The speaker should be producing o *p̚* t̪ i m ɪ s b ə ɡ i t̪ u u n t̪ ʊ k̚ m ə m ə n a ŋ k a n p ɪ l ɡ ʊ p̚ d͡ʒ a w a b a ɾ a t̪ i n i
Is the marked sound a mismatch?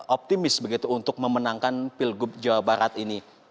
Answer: no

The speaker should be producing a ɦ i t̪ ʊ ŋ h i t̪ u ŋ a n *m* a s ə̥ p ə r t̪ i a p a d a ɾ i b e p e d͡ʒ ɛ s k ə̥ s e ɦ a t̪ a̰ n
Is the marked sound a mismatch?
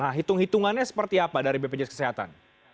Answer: yes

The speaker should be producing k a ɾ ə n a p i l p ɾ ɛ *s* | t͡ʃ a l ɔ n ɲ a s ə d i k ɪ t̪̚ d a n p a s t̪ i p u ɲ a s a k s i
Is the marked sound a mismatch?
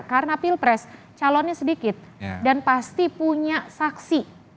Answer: no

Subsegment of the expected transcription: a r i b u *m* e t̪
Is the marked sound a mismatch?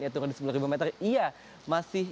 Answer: no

